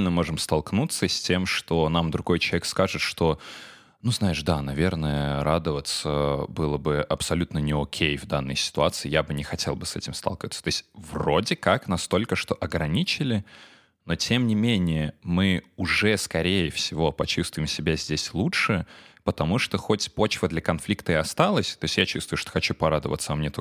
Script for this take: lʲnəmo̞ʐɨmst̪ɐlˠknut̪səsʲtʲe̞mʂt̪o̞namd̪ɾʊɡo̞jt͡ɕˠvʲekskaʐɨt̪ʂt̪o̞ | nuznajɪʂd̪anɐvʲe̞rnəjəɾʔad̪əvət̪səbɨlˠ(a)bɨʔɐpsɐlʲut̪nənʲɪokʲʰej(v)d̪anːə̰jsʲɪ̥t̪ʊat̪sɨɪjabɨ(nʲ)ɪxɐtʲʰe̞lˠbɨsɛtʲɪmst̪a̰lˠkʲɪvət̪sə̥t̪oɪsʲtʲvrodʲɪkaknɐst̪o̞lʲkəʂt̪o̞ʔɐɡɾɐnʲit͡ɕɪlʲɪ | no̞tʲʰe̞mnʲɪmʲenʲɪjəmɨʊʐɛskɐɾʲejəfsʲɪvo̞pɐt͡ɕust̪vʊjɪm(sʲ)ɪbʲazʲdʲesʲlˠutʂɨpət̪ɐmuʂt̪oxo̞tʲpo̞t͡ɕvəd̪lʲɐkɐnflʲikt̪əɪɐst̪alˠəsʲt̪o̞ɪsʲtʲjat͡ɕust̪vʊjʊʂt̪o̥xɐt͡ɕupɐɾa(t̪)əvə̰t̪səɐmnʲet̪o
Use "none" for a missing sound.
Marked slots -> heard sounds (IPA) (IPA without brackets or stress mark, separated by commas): ə, v, nʲ, sʲ, d̪